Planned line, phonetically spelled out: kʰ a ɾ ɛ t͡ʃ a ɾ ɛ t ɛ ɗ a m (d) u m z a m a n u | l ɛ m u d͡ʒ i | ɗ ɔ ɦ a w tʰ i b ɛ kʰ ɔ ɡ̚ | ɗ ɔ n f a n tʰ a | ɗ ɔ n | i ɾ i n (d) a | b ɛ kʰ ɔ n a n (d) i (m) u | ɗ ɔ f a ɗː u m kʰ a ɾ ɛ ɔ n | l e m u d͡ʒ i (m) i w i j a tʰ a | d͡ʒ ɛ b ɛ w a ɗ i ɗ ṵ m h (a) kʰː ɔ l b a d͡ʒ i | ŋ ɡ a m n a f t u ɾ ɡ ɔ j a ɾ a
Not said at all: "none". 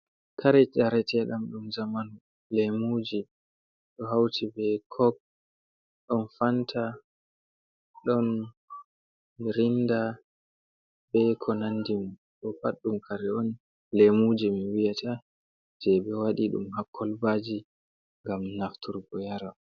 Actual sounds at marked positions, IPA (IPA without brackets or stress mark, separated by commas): ɗ, d, d, m, m, a